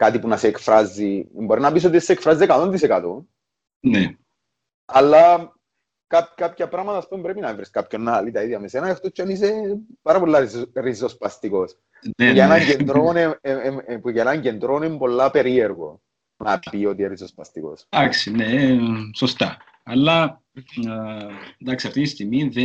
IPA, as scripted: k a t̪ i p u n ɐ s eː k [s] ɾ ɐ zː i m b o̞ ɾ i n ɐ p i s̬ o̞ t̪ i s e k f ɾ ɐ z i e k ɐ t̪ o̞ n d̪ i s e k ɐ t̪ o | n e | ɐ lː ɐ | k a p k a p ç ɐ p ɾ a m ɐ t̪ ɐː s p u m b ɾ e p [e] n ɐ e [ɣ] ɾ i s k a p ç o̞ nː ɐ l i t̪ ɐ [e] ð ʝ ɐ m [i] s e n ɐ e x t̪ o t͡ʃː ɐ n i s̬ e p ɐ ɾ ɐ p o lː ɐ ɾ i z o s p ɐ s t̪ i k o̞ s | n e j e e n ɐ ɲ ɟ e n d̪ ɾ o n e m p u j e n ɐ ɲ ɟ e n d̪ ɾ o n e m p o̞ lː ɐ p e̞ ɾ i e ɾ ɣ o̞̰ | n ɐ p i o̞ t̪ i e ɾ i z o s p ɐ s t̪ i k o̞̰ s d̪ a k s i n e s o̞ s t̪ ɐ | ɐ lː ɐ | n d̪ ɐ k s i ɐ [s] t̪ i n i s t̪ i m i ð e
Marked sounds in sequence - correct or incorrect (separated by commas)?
incorrect, incorrect, incorrect, incorrect, incorrect, incorrect